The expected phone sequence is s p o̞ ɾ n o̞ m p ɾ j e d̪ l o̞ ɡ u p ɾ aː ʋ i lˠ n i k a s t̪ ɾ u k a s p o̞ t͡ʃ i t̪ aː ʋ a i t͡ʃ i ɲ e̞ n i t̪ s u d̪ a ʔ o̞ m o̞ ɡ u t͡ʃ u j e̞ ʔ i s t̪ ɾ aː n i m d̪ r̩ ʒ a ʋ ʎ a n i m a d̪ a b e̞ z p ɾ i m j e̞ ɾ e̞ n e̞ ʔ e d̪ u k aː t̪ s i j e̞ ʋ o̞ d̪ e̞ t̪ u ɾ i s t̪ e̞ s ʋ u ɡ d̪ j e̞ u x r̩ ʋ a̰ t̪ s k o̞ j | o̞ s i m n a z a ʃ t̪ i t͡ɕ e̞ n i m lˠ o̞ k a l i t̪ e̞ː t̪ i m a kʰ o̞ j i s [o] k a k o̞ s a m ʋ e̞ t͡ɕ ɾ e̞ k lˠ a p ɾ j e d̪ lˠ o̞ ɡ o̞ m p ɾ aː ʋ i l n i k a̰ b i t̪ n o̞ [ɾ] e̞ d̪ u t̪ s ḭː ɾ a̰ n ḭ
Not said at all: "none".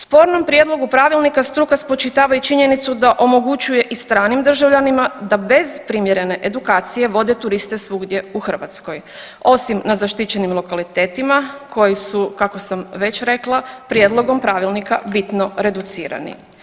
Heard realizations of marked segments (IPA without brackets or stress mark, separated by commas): u, ɾ